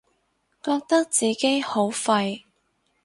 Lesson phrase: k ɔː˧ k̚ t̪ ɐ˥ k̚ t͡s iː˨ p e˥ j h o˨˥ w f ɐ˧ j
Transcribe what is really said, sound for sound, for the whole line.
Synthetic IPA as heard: k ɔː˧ k̚ t̪ ɐ˥ k̚ t͡s iː˨ k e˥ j h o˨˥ w f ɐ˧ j